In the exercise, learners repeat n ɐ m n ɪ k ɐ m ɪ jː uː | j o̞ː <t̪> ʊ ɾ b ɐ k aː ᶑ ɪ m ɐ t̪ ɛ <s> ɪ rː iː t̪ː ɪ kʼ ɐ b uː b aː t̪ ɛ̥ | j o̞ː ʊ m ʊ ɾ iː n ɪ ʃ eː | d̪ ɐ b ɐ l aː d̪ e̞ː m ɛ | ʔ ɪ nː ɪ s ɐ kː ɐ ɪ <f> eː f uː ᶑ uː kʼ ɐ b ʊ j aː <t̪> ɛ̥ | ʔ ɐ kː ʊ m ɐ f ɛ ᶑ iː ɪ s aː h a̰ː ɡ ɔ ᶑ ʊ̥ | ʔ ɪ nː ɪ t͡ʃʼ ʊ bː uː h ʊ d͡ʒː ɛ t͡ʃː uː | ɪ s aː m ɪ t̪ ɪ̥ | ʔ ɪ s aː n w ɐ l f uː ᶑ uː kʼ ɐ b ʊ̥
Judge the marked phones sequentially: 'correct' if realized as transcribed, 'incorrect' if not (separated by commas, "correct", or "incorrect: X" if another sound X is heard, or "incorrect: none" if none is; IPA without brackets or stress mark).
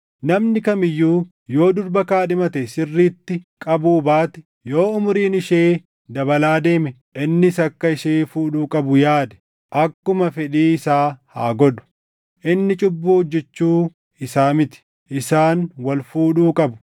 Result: incorrect: d̪, correct, incorrect: ʃ, incorrect: d̪